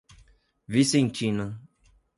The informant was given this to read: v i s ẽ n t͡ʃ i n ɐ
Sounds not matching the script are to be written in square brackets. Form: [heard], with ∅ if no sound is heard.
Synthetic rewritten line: v i s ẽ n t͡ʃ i n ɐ